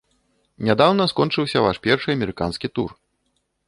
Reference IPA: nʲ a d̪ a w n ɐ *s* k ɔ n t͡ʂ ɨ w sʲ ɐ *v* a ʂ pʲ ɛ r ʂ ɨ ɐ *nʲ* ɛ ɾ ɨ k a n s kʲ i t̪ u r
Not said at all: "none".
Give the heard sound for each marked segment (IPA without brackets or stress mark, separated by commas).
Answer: s, v, mʲ